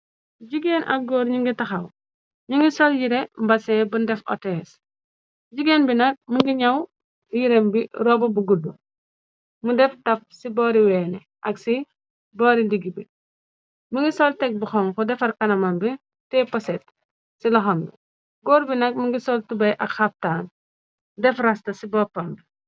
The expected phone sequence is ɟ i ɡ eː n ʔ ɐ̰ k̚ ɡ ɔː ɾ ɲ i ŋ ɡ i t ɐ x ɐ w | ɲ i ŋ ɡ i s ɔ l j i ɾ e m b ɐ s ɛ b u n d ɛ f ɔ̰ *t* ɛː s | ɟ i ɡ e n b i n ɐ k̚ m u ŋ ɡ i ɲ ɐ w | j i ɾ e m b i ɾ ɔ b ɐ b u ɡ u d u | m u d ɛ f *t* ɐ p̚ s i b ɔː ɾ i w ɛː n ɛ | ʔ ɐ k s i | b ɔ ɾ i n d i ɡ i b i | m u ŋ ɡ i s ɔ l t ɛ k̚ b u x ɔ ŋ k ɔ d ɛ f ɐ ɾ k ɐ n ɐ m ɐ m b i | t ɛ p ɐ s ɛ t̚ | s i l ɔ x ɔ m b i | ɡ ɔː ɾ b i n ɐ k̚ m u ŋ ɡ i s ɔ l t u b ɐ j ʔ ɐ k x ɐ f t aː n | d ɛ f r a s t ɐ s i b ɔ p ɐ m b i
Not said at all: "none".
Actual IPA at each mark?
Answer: t, t

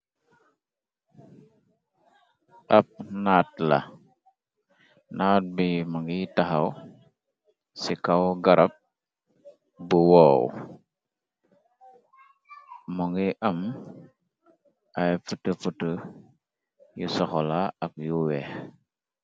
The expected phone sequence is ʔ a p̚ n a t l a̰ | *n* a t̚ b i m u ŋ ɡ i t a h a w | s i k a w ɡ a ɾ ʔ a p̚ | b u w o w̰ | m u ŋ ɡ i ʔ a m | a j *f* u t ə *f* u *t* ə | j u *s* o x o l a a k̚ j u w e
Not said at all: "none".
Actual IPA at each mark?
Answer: n, f, f, t, s

